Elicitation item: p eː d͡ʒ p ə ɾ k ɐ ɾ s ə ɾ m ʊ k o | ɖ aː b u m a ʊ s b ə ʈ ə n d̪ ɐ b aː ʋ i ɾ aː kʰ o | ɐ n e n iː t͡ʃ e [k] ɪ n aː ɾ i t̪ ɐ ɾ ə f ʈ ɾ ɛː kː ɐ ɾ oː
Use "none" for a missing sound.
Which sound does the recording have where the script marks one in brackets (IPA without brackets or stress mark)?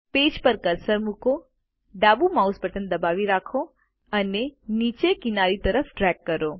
k